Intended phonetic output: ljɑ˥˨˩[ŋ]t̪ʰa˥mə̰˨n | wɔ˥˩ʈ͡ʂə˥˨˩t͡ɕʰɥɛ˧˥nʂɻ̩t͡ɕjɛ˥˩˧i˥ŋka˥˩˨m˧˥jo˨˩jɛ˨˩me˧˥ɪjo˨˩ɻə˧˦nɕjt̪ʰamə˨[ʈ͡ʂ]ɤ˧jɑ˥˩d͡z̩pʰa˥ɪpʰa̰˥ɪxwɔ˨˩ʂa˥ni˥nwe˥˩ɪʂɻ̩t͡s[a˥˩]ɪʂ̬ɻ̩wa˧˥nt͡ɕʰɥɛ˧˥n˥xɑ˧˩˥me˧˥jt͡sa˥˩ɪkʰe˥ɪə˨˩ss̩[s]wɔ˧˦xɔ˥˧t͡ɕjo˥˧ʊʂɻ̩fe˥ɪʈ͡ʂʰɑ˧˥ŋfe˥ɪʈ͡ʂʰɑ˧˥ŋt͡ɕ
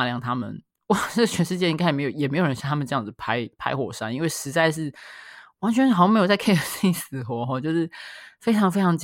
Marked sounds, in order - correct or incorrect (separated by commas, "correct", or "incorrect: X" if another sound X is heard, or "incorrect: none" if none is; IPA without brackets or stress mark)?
correct, correct, incorrect: a˥˧, incorrect: x